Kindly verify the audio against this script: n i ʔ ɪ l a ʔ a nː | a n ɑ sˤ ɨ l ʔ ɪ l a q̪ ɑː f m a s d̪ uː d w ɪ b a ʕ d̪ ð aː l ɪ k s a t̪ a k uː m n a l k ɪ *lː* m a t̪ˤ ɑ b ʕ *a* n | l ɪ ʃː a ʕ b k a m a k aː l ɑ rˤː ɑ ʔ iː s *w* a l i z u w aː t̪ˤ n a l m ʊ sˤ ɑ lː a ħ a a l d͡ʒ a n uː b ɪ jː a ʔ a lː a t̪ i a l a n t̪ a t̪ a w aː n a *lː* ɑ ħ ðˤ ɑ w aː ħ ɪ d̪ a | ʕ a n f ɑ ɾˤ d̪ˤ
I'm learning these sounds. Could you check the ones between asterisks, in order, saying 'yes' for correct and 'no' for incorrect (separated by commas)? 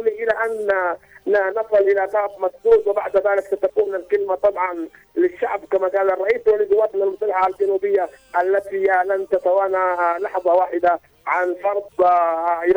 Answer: no, no, yes, no